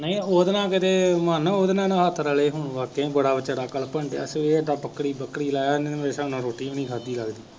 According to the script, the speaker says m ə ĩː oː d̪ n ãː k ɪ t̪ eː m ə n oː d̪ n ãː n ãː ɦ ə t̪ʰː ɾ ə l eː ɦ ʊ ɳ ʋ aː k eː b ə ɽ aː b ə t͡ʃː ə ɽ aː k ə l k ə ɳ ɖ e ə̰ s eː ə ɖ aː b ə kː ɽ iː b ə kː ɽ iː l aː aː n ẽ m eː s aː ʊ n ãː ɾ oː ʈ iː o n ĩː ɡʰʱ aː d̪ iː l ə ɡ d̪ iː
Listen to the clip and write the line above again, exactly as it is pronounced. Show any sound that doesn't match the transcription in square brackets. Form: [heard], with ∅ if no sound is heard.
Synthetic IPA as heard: [n] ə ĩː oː d̪ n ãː k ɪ t̪ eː m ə n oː d̪ n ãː n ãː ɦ ə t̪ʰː ɾ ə l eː ɦ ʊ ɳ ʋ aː k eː b ə ɽ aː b ə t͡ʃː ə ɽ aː k ə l [p] ə ɳ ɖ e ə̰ s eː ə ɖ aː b ə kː ɽ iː b ə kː ɽ iː l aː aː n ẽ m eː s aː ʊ n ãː ɾ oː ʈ iː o n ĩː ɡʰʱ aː d̪ iː l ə ɡ d̪ iː